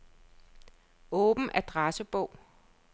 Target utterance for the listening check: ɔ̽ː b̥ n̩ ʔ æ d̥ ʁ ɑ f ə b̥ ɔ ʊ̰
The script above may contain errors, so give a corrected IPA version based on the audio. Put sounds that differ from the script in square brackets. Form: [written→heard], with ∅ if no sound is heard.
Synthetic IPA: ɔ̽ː b̥ n̩ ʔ æ d̥ ʁ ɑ [f→s] ə b̥ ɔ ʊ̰

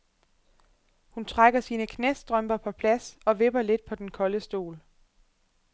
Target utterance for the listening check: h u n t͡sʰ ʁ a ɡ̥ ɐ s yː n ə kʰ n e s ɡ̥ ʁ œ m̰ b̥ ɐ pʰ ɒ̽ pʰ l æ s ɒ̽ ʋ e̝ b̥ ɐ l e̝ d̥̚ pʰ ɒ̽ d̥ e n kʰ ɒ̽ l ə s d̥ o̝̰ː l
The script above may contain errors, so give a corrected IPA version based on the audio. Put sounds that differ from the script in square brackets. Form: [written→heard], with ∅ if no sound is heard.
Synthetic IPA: h u n t͡sʰ ʁ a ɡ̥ ɐ s [yː→iː] n ə kʰ n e s [ɡ̥→d̥] ʁ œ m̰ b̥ ɐ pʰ ɒ̽ pʰ l æ s ɒ̽ ʋ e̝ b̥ ɐ l e̝ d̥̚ pʰ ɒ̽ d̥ e n kʰ ɒ̽ l ə s d̥ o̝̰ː l

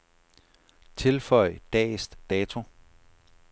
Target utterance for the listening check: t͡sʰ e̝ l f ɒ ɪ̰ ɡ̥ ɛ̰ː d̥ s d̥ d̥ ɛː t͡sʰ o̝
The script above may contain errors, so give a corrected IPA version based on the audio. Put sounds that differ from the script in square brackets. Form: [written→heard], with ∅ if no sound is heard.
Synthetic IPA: t͡sʰ e̝ l f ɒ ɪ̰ [ɡ̥→d̥] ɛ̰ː [d̥→∅] s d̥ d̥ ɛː t͡sʰ o̝

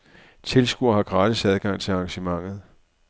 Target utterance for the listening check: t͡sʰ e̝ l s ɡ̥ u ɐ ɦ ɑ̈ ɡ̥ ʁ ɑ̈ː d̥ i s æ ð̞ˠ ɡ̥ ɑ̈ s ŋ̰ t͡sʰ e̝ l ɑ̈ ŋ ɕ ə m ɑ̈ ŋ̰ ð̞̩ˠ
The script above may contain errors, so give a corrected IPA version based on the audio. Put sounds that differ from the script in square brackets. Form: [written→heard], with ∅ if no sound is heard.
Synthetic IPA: t͡sʰ e̝ l s ɡ̥ u ɐ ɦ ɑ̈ ɡ̥ ʁ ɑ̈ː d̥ i s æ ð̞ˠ ɡ̥ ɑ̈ [s→∅] ŋ̰ t͡sʰ e̝ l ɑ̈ ŋ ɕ ə m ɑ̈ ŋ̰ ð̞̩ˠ

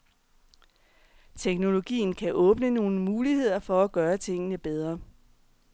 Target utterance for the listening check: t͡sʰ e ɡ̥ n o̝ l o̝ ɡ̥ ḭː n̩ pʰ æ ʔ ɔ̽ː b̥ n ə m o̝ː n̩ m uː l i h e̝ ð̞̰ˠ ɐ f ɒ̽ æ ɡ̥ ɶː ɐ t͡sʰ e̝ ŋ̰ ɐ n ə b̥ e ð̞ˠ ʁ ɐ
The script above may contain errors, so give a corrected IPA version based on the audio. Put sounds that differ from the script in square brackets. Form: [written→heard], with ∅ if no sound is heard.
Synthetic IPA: t͡sʰ e ɡ̥ n o̝ l o̝ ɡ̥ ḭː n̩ [pʰ→kʰ] æ ʔ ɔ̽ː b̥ n ə [m→n] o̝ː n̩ m uː l i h e̝ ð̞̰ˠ ɐ f ɒ̽ æ ɡ̥ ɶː ɐ t͡sʰ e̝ ŋ̰ [ɐ→ə] n ə b̥ e ð̞ˠ ʁ ɐ

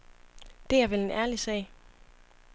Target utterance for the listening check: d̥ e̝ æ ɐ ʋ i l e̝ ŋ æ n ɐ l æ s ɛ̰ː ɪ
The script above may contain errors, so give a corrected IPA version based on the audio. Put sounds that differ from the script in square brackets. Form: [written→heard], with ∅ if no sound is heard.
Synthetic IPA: d̥ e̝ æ ɐ ʋ [i→e] l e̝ [ŋ→n] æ [n→∅] ɐ l [æ→i] s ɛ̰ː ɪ

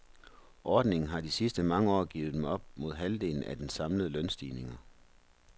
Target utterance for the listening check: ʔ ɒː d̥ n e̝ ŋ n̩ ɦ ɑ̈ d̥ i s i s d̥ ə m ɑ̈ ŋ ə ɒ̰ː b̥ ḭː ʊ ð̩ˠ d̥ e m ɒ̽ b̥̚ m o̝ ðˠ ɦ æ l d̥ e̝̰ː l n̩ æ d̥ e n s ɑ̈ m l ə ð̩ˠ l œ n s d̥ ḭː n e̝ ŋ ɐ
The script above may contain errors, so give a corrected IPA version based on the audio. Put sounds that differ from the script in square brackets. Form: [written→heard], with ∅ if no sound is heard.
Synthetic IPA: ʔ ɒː d̥ n e̝ ŋ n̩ ɦ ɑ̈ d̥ i s i s d̥ ə m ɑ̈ ŋ ə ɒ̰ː [b̥→ɡ̥] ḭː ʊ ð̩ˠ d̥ e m ɒ̽ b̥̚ m o̝ ðˠ ɦ æ l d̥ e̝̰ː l n̩ æ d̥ e n s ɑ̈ m l ə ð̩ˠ l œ n s d̥ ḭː n e̝ ŋ ɐ

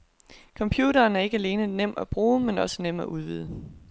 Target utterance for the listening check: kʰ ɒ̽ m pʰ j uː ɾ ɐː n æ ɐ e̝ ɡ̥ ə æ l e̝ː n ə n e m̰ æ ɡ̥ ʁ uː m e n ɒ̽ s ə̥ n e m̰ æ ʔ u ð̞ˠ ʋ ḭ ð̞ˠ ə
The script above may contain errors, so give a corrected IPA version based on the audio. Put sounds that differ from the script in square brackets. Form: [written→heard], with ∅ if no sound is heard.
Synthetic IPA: kʰ ɒ̽ m pʰ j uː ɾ ɐː n æ ɐ e̝ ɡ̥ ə æ l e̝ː n ə n e m̰ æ [ɡ̥→b̥] ʁ uː m e n ɒ̽ s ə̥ n e m̰ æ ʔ u ð̞ˠ ʋ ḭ ð̞ˠ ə

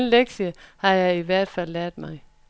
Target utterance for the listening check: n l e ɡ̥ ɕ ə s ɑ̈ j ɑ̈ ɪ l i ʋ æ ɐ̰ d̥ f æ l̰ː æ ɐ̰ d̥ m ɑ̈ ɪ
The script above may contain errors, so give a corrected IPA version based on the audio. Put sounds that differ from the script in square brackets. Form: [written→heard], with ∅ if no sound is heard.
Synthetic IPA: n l e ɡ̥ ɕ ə [s→h] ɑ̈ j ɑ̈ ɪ [l→∅] i ʋ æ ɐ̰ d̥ f æ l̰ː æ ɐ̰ d̥ m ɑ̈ ɪ

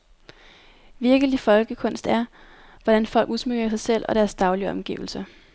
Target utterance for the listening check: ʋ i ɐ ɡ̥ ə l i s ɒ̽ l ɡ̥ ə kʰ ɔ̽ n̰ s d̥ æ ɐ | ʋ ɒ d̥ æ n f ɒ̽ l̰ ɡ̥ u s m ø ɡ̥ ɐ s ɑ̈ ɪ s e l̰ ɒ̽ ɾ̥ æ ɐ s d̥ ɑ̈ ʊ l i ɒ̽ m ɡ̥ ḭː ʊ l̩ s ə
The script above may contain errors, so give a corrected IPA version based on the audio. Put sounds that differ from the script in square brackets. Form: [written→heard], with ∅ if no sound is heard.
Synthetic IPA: ʋ i ɐ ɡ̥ ə l i [s→f] ɒ̽ l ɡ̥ ə kʰ ɔ̽ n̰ s d̥ æ ɐ | ʋ ɒ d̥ æ n f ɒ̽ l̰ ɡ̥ u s m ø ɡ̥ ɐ s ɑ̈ ɪ s e l̰ ɒ̽ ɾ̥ æ ɐ s d̥ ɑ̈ ʊ l i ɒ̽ m ɡ̥ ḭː ʊ l̩ s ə

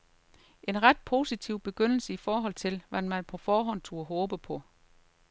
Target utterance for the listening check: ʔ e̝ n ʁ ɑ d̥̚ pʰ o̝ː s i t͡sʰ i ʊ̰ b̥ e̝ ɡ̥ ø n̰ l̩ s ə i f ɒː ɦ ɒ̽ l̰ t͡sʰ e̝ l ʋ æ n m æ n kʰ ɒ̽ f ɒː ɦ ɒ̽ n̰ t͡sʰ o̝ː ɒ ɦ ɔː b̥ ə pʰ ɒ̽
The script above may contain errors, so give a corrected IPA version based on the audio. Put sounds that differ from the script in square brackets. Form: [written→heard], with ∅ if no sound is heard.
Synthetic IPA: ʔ e̝ n ʁ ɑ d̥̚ pʰ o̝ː s i t͡sʰ i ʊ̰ b̥ e̝ ɡ̥ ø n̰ l̩ s ə i f ɒː ɦ ɒ̽ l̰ t͡sʰ e̝ l ʋ æ n m æ n [kʰ→pʰ] ɒ̽ f ɒː ɦ ɒ̽ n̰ t͡sʰ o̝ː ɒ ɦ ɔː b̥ ə pʰ ɒ̽

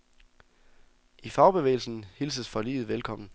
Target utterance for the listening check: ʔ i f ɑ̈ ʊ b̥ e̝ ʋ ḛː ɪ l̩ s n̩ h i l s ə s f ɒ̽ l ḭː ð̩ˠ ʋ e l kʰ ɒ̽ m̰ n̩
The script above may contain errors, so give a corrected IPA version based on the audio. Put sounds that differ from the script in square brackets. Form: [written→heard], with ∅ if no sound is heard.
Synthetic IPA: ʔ i f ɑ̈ ʊ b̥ e̝ ʋ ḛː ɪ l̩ s n̩ h i l s ə s f ɒ̽ l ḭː ð̩ˠ ʋ e l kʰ ɒ̽ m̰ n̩

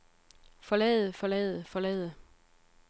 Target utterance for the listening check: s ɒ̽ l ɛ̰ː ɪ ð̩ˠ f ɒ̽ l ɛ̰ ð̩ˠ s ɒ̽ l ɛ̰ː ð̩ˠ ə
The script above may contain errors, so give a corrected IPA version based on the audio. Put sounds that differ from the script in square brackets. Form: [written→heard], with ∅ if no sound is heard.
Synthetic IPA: [s→f] ɒ̽ l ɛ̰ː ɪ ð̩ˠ f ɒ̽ l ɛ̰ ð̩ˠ [s→f] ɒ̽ l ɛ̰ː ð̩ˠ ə

